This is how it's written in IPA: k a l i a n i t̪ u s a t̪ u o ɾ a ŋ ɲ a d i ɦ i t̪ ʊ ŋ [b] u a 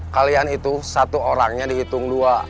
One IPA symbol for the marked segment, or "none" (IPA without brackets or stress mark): d